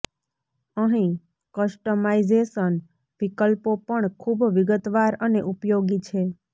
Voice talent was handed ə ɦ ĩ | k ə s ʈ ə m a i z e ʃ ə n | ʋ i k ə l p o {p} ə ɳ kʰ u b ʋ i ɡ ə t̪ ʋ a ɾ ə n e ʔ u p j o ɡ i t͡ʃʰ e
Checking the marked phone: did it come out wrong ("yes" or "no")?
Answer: no